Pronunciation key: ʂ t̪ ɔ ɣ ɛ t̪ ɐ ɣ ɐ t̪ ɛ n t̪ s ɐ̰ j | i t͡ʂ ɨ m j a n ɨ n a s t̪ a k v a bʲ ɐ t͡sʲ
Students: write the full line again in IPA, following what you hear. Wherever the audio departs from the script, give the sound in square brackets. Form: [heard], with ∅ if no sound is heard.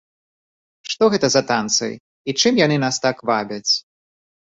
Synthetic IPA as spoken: ʂ t̪ ɔ ɣ ɛ t̪ ɐ [z] ɐ t̪ [a] n t̪ s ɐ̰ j | i t͡ʂ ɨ m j a n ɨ n a s t̪ a k v a bʲ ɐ t͡sʲ